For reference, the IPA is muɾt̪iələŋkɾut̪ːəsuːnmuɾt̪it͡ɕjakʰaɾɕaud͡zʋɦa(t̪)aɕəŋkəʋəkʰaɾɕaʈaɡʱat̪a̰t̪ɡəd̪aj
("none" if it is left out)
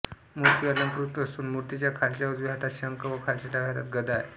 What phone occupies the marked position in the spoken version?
t̪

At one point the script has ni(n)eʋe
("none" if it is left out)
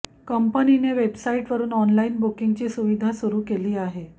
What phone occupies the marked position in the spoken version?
n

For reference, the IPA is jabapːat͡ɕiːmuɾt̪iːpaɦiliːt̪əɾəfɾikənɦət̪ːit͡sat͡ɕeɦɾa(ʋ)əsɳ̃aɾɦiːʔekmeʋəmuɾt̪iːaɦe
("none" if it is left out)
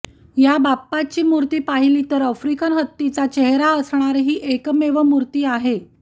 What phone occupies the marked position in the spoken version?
none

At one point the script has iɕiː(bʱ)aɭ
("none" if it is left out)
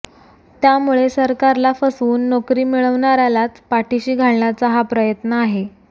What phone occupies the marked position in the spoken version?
ɡʱ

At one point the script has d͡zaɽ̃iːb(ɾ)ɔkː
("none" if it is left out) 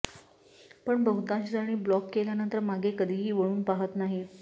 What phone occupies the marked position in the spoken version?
l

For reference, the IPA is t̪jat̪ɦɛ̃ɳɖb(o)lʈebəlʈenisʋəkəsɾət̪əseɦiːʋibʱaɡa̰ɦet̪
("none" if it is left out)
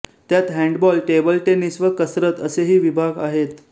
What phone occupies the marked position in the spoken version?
ɔ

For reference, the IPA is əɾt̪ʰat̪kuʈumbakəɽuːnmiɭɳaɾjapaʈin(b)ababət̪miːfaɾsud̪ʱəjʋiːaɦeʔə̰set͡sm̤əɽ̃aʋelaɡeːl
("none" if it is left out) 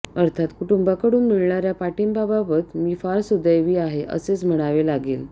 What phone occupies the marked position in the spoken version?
b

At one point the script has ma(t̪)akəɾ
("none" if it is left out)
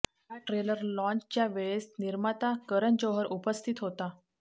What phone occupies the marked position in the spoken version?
t̪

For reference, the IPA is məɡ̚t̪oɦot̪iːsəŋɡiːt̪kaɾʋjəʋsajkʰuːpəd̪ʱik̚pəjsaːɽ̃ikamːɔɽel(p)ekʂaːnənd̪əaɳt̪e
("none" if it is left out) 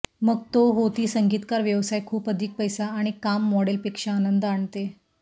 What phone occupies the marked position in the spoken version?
p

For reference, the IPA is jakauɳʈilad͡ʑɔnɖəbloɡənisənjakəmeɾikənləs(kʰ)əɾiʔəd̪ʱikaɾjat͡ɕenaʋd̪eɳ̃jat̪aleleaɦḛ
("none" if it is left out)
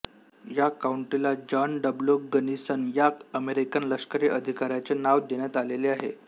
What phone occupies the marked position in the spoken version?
k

